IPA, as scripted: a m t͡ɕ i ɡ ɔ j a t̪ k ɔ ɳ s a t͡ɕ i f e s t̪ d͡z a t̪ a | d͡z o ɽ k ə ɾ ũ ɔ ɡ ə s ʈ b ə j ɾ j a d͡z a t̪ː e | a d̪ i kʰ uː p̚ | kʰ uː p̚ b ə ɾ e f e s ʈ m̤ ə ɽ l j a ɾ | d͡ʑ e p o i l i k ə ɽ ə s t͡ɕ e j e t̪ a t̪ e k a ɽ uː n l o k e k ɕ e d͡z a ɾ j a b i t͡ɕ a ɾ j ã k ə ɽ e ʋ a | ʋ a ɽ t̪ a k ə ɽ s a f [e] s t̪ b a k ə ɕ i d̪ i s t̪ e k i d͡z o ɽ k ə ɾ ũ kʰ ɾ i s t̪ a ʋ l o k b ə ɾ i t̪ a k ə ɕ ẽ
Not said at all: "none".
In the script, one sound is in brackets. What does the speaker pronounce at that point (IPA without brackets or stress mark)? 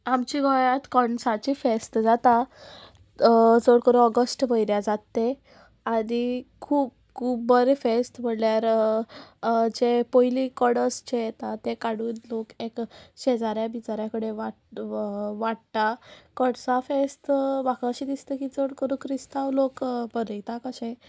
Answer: e